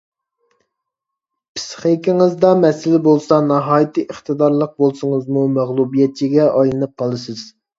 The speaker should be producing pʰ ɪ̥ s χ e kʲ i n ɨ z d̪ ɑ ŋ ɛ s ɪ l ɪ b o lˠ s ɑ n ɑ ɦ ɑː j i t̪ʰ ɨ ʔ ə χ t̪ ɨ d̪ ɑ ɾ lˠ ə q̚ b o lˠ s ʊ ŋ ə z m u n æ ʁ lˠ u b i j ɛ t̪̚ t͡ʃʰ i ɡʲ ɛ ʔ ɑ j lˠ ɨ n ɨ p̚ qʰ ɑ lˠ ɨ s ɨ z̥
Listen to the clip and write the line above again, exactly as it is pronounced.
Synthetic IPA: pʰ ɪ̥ s χ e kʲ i ŋ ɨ z d̪ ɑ m ɛ s ɪ l ɪ b o lˠ s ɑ n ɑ ɦ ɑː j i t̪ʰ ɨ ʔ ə χ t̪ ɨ d̪ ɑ ɾ lˠ ə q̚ b o lˠ s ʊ ŋ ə z m u m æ ʁ lˠ u b i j ɛ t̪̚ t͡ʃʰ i ɡʲ ɛ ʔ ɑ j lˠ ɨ n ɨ p̚ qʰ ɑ lˠ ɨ s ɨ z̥